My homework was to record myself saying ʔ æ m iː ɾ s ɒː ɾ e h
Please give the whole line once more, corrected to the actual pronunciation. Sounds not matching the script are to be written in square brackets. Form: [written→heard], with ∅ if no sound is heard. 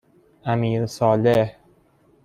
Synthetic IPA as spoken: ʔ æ m iː ɾ s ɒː [ɾ→l] e h